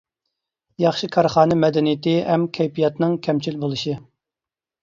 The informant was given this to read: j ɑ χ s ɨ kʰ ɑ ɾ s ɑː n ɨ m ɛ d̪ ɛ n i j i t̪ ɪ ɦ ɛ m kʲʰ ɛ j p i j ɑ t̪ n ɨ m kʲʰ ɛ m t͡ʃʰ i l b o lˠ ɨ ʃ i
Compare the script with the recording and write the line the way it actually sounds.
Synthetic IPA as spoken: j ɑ χ ʃ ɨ kʰ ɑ ɾ χ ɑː n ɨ m ɛ d̪ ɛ n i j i t̪ ɪ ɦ ɛ m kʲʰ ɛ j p i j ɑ t̪ n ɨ ŋ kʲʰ ɛ m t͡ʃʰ i l b o lˠ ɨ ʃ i